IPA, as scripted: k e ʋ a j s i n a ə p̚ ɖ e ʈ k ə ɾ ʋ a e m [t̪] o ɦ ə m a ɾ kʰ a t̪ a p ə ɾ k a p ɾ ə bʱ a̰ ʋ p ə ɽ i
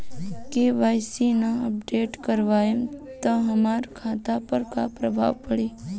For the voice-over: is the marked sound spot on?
yes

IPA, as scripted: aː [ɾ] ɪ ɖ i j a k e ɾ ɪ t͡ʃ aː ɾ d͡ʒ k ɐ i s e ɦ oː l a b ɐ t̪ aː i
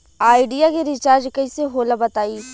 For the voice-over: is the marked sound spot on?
no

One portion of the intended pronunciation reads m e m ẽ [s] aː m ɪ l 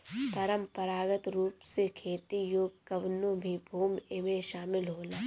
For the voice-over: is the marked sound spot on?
no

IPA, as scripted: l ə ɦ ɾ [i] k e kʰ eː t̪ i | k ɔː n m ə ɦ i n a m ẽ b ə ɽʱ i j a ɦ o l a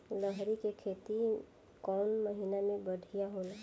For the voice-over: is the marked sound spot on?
yes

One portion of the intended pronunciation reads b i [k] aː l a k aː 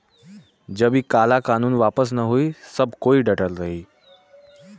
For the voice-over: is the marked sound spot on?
yes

